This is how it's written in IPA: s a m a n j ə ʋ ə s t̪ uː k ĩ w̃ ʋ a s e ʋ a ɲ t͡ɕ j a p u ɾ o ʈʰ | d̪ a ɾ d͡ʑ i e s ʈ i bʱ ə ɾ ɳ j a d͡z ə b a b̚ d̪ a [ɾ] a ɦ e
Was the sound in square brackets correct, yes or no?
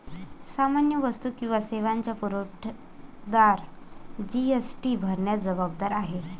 yes